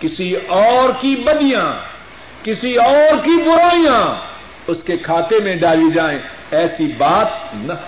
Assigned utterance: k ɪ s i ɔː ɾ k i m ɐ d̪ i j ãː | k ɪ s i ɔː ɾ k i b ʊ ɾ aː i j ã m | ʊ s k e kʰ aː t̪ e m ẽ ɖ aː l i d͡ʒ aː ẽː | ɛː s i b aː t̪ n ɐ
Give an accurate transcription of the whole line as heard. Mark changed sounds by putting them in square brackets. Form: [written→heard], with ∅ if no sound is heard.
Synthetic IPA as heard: k ɪ s i ɔː ɾ k i [m→b] ɐ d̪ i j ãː | k ɪ s i ɔː ɾ k i b ʊ ɾ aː i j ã [m→∅] | ʊ s k e kʰ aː t̪ e m ẽ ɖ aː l i d͡ʒ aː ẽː | ɛː s i b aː t̪ n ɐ